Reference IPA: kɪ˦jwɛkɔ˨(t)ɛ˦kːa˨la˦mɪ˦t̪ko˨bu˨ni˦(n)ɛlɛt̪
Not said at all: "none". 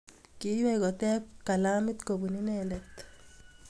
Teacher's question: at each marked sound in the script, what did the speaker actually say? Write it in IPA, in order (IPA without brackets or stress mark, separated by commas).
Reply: t, n